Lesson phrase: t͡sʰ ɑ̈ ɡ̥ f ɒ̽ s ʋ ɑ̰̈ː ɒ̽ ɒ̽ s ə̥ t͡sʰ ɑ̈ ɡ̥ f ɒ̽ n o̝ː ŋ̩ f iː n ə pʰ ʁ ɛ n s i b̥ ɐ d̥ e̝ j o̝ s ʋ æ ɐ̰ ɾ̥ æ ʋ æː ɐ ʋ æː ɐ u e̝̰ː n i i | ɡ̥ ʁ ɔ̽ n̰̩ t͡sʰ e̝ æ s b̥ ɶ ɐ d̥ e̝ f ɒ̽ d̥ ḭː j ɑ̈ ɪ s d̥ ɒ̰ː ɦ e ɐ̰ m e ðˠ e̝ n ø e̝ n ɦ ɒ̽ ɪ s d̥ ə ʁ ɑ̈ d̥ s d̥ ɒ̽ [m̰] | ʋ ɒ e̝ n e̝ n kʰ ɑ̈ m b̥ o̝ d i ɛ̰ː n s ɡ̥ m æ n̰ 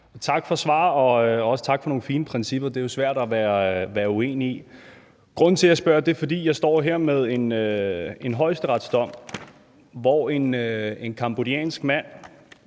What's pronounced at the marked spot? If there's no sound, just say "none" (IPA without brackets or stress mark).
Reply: m̰